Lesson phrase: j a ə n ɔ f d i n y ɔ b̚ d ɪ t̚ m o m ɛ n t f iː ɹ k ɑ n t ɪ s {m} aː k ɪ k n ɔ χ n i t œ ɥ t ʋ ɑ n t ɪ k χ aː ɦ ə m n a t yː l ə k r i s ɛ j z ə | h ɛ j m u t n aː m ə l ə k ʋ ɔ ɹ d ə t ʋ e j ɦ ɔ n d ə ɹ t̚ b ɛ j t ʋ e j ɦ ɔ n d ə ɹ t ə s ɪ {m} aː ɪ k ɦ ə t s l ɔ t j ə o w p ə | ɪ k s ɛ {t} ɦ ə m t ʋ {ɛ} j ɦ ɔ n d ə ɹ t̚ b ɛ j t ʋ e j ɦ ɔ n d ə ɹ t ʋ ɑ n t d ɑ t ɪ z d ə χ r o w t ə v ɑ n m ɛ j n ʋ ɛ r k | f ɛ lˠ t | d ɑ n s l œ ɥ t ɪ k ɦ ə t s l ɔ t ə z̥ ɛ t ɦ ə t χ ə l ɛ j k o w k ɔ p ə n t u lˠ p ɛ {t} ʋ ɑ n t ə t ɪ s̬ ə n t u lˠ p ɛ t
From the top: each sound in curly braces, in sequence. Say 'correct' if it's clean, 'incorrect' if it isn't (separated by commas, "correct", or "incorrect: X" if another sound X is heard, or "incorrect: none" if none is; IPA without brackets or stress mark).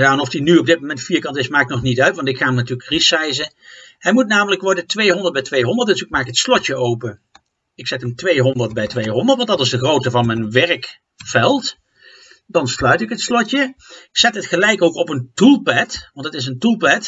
correct, correct, correct, incorrect: e, correct